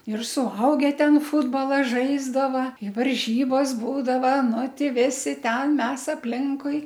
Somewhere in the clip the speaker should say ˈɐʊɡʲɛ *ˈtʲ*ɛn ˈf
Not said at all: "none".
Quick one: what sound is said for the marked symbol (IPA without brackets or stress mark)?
tʲ